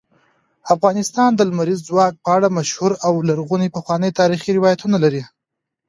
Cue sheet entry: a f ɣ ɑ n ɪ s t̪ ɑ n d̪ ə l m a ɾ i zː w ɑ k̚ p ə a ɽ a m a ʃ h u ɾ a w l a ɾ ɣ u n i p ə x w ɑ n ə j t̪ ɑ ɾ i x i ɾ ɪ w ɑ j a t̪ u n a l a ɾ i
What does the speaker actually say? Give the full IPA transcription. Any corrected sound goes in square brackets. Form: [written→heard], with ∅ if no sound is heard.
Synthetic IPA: a f ɣ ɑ n ɪ s t̪ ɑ n d̪ ə l m a ɾ i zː w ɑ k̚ p ə a ɽ a m a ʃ h u ɾ a w l a ɾ ɣ u n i p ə x w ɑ n ə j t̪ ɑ ɾ i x i ɾ ɪ w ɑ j a t̪ u n a l a ɾ i